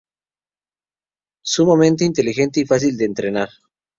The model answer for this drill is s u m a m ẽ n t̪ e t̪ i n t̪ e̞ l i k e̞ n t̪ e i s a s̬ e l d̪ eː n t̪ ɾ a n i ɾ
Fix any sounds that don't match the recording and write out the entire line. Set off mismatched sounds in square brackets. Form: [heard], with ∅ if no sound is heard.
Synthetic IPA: s u m a m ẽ n t̪ e [∅] i n t̪ e̞ l i [x] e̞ n t̪ e i [f] a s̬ [i] l d̪ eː n t̪ ɾ [e] n [a] ɾ